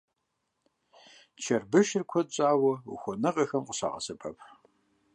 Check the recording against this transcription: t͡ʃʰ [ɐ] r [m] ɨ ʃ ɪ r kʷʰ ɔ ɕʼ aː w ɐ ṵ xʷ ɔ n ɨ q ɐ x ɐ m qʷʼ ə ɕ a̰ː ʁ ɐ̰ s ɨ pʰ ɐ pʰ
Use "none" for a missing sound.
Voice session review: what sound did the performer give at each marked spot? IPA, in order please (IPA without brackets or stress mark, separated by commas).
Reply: ɐ, b